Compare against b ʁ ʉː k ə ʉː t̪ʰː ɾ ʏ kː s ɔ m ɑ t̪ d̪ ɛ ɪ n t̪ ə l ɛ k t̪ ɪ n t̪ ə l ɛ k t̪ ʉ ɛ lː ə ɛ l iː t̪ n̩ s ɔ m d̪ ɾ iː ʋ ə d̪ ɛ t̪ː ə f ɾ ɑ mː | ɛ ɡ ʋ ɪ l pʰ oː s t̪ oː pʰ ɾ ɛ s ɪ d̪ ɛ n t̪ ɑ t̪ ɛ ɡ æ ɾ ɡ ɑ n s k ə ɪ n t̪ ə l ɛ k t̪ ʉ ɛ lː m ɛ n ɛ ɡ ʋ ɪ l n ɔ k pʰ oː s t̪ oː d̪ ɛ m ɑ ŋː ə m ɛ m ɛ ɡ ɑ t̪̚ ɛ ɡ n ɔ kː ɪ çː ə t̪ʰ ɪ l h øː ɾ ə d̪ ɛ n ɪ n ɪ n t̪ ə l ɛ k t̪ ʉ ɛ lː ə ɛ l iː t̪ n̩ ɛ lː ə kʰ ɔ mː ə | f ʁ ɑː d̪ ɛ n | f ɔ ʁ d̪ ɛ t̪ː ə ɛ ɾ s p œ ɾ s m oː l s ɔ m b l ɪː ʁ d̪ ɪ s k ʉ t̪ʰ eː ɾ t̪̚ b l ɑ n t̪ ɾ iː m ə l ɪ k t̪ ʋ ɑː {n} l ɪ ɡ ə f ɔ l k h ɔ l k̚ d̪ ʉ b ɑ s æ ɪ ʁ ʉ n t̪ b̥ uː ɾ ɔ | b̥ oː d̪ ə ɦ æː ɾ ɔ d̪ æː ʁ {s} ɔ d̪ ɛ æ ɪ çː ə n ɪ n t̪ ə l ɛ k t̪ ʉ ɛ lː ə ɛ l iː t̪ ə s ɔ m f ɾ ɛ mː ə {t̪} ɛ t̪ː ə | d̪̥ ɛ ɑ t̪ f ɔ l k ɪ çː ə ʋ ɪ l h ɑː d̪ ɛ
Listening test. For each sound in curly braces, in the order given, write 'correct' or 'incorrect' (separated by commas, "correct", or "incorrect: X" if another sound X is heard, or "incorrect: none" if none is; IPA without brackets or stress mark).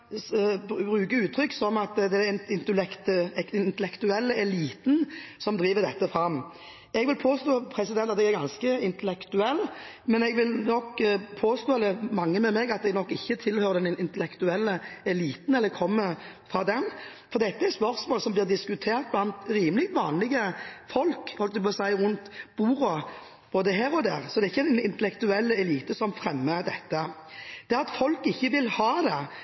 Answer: correct, correct, incorrect: d̪